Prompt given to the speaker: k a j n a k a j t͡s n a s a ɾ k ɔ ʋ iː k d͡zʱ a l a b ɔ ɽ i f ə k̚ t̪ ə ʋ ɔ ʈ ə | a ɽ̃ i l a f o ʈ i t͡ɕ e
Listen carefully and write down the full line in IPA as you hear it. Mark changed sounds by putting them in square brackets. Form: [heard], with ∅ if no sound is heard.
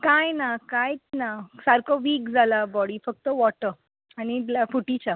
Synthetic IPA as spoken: k a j n a k a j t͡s n a s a ɾ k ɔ ʋ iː k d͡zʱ a l a b ɔ ɽ i f ə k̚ t̪ ə ʋ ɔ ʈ ə | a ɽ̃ i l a f [u] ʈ i t͡ɕ [a]